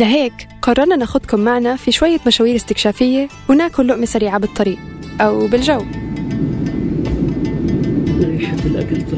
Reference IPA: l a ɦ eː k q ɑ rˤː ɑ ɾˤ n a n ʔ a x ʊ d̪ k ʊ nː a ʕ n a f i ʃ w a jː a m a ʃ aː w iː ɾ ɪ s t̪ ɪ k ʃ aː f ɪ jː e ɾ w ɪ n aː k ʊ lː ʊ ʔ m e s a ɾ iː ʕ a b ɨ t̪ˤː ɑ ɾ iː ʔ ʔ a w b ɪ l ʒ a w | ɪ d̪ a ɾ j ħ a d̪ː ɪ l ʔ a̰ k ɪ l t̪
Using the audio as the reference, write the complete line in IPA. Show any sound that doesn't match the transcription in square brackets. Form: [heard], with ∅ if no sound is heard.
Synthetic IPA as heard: l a ɦ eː k q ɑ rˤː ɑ ɾˤ n a n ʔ a x ʊ d̪ k ʊ [mː] a ʕ n a f i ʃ w a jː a m a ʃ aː w iː ɾ ɪ s t̪ ɪ k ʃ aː f ɪ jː e [∅] w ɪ n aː k ʊ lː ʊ ʔ m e s a ɾ iː ʕ a b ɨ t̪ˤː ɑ ɾ iː ʔ ʔ a w b ɪ l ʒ a w | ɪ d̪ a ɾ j ħ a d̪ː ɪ l ʔ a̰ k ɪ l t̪